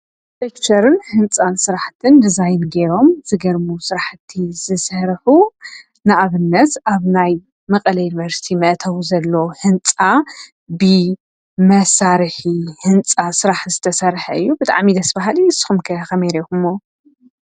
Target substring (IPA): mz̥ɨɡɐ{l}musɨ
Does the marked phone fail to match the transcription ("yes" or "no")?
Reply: yes